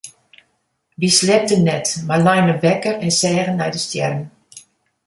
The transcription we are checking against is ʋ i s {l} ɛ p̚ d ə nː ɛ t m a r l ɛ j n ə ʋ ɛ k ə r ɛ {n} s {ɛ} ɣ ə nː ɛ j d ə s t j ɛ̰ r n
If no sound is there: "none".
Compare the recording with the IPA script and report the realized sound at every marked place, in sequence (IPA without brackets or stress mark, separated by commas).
l, n, ɛː